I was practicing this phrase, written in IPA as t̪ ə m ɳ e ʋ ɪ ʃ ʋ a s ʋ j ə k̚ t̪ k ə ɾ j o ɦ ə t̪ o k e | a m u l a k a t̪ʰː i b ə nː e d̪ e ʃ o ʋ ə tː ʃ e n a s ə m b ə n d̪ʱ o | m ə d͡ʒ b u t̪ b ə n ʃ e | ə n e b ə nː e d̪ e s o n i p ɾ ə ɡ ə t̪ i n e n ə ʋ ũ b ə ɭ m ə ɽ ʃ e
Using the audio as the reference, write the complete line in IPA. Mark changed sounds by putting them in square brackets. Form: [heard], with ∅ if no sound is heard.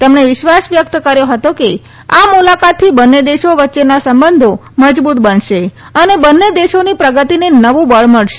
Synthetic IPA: t̪ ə m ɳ e ʋ ɪ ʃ ʋ a s ʋ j ə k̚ t̪ k ə ɾ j o ɦ ə t̪ o k e | a m u l a k a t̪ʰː i b ə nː e d̪ e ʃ o ʋ ə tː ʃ e n a s ə m b ə n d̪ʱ o | m ə d͡ʒ b u t̪ b ə n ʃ e | ə n e b ə nː e d̪ e [ʃ] o n i p ɾ ə ɡ ə t̪ i n e n ə ʋ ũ b ə ɭ m ə [ɭ] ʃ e